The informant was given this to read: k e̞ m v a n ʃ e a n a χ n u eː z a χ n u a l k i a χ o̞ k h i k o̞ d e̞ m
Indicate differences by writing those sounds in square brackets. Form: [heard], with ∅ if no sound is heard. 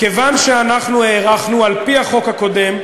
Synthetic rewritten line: k e̞ [∅] v a n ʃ e a n a χ n u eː [ʁ] a χ n u a l [p] i a χ o̞ k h [a] k o̞ d e̞ m